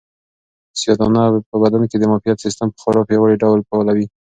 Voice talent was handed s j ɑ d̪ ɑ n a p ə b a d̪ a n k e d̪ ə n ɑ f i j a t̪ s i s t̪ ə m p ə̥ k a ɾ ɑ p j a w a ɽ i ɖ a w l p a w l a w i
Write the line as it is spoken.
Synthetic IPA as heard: s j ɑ d̪ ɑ n a p ə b a d̪ a n k e d̪ ə m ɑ f i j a t̪ s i s t̪ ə m p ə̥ x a ɾ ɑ p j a w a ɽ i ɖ a w l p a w l a w i